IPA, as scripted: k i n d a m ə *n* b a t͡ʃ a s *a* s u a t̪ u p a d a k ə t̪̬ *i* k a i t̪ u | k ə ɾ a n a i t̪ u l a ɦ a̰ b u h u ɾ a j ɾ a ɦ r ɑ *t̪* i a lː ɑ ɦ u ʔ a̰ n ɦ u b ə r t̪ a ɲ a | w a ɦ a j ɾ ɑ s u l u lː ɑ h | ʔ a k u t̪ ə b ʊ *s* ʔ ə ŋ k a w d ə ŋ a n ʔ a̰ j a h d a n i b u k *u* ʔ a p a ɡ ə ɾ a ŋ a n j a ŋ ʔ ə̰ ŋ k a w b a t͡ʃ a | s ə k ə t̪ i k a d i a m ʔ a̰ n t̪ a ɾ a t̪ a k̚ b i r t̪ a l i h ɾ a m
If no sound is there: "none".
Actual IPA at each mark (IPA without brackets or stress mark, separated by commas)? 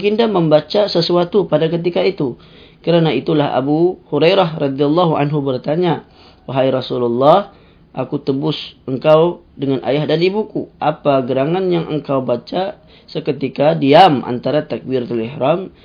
m, ə, i, d̪, s, u